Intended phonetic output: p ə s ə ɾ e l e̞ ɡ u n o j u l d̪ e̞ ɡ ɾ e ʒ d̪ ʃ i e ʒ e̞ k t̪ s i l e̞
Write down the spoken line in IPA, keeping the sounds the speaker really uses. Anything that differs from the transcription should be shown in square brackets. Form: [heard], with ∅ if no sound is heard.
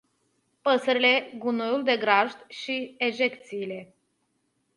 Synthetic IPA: p ə s ə ɾ [i] l e̞ ɡ u n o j u l d̪ e̞ ɡ ɾ [a] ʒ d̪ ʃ i e ʒ e̞ k t̪ s [iː] l e̞